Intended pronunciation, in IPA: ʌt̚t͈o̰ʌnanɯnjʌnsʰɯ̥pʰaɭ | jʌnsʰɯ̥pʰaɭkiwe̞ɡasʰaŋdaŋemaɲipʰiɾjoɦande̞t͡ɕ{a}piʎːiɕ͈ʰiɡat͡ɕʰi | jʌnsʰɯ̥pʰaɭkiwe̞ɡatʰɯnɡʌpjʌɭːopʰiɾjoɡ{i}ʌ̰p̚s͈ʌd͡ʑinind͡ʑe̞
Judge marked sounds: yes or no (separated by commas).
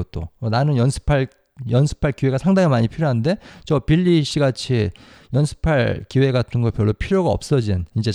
no, no